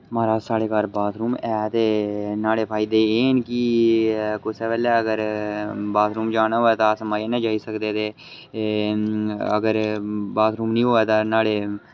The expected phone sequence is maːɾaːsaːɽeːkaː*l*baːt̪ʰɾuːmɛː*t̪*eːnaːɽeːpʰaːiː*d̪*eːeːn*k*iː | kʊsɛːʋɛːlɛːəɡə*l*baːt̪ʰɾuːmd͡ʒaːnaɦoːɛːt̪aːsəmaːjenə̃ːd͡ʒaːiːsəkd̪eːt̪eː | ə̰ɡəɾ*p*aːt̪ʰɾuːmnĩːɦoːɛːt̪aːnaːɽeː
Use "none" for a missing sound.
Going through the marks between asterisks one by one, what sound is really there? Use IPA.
ɾ, t̪, d̪, k, ɾ, b

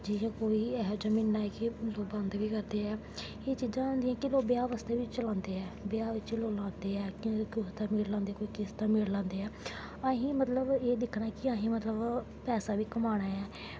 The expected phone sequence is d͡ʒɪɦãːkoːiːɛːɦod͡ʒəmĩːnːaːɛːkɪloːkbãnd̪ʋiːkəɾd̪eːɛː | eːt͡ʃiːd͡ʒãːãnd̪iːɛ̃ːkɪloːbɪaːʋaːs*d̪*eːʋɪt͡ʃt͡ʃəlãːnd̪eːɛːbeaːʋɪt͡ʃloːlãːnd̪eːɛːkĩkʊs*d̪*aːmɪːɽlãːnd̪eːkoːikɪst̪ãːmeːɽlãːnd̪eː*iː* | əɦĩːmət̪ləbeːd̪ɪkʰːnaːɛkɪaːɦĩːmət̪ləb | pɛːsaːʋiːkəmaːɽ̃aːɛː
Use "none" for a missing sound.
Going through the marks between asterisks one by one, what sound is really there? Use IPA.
t̪, t̪, ɛː

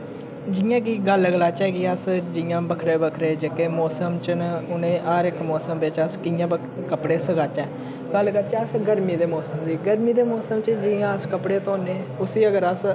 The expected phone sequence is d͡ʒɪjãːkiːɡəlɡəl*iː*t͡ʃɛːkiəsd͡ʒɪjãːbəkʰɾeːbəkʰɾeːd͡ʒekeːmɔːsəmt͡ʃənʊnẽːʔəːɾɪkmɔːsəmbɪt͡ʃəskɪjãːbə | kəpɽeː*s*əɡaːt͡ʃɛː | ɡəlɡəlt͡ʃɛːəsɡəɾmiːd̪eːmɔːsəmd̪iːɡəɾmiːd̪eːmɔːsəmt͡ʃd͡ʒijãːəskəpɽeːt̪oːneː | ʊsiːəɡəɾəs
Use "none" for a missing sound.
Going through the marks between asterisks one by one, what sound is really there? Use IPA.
aː, s

